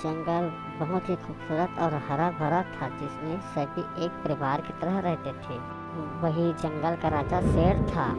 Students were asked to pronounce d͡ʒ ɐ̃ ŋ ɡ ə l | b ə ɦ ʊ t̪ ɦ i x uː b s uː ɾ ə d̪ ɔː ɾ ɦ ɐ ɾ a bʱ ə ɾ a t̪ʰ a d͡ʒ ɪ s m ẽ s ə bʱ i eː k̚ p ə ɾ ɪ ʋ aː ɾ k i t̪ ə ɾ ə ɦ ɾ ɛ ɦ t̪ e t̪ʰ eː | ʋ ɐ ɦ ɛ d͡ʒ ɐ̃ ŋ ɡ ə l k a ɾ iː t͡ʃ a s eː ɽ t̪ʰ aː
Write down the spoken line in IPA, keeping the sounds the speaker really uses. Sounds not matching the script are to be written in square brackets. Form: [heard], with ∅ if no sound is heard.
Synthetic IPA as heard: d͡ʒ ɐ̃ ŋ ɡ ə l | b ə ɦ ʊ t̪ ɦ i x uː b s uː ɾ ə [t̪] ɔː ɾ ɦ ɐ ɾ a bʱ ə ɾ a t̪ʰ a d͡ʒ ɪ s m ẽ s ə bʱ i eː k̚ p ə ɾ ɪ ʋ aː ɾ k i t̪ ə ɾ ə ɦ ɾ ɛ ɦ t̪ e t̪ʰ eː | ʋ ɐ ɦ [i] d͡ʒ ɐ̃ ŋ ɡ ə l k a ɾ [aː] t͡ʃ a s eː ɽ t̪ʰ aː

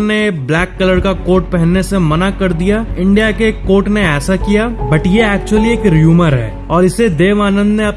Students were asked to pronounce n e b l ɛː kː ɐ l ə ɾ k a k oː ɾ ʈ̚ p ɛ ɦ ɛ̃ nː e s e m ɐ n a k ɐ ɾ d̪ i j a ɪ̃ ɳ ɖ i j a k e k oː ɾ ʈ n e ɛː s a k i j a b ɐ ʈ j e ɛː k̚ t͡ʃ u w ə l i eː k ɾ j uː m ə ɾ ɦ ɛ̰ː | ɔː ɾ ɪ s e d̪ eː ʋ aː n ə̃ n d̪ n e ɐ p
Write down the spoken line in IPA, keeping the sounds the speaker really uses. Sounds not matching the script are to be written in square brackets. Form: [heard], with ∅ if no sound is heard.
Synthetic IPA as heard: n e b l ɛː kː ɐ l ə ɾ k a k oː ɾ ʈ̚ p ɛ ɦ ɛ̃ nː e s e m ɐ n a k ɐ ɾ d̪ i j a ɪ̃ ɳ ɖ i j a k e k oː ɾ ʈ n e ɛː s a k i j a b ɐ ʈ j e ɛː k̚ t͡ʃ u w ə l i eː k ɾ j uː m ə ɾ ɦ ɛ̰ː | ɔː ɾ ɪ s e d̪ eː ʋ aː n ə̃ n d̪ n e ɐ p

